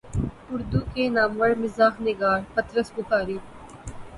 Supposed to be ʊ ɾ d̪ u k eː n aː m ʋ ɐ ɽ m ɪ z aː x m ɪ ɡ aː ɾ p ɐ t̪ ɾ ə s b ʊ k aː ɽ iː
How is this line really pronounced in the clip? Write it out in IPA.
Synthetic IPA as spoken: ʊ ɾ d̪ u k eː n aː m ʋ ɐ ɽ m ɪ z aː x n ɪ ɡ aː ɾ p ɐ t̪ ɾ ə s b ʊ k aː ɾ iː